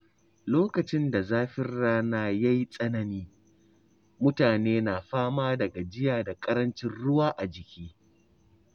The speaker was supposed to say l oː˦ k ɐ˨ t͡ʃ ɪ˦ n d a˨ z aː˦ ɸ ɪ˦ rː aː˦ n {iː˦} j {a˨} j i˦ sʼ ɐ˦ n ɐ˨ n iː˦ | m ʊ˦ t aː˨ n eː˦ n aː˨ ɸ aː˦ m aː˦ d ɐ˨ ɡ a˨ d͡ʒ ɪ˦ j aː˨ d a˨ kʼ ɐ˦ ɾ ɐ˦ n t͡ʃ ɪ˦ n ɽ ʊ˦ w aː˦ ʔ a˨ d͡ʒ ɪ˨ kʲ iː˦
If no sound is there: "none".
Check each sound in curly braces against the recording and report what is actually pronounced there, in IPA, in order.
aː˦, a˦

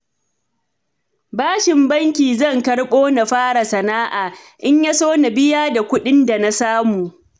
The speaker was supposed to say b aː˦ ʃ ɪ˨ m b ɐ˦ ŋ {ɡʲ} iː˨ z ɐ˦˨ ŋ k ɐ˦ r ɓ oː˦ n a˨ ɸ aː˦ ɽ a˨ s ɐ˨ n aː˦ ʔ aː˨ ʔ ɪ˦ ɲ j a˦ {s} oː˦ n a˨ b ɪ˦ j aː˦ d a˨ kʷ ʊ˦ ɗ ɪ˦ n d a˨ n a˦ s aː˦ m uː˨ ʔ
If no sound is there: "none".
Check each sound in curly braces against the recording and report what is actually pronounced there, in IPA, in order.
kʲ, s

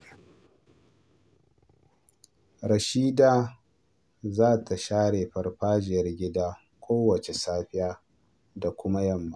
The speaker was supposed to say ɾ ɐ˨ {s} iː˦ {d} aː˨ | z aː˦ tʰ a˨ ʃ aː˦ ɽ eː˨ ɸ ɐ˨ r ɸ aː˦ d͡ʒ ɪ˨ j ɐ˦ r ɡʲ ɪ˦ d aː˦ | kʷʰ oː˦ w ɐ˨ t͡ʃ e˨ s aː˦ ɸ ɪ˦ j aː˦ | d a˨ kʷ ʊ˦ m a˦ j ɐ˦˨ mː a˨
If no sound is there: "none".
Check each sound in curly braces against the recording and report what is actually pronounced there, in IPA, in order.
ʃ, d

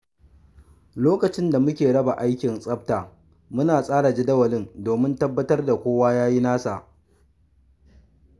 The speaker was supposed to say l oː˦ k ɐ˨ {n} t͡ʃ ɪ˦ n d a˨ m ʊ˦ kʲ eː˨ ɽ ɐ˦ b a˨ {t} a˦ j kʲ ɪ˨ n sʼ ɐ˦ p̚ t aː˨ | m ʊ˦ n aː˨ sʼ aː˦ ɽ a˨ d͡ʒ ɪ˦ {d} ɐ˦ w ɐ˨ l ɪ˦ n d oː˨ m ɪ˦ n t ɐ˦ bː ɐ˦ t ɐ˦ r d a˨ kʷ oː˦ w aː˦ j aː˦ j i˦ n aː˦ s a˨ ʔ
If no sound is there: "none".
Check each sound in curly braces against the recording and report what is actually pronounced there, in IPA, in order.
none, ʔ, d

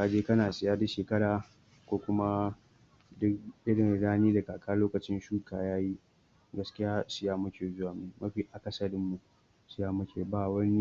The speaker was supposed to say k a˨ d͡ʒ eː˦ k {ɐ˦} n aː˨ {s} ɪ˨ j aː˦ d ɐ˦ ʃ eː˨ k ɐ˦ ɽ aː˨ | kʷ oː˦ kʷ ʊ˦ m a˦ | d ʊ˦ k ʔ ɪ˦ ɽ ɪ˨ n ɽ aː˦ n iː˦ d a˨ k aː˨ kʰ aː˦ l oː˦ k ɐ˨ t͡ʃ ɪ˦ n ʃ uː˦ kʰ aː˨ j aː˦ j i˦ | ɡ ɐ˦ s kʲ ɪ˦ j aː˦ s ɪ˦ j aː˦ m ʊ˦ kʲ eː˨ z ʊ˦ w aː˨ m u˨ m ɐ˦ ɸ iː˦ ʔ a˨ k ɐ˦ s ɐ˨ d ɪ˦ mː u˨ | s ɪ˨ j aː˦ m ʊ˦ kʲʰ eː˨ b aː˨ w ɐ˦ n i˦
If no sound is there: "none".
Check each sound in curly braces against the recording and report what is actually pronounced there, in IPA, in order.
ɐ˦, s

